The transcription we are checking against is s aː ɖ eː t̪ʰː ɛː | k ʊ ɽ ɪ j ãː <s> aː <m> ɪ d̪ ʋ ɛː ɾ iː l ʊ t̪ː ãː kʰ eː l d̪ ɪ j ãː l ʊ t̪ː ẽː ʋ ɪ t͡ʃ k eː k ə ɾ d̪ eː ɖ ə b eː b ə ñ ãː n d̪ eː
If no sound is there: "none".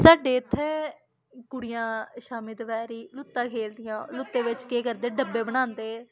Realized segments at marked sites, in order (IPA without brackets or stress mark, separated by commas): ʃ, m